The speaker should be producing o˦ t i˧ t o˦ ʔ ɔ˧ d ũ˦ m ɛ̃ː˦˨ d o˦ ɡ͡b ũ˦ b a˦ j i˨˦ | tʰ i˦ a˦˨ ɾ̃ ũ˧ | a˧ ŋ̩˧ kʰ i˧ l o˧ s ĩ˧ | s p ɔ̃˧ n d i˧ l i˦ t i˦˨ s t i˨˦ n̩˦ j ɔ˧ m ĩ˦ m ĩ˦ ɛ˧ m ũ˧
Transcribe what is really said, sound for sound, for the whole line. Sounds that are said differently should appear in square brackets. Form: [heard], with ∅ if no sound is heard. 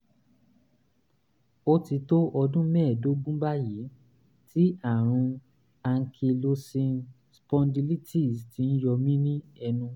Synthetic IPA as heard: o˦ t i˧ t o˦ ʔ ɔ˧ d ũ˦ m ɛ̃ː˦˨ d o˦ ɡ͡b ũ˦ b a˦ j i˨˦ | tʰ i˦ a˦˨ ɾ̃ ũ˧ | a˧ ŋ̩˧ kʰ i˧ l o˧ s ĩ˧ | s p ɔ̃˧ n d i˧ l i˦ t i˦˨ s t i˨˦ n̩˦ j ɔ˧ m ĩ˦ [n] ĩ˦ ɛ˧ [n] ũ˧